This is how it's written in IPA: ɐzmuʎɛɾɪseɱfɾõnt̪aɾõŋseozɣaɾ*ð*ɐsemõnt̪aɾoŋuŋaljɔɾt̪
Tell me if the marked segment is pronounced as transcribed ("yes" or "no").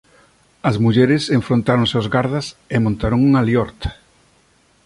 yes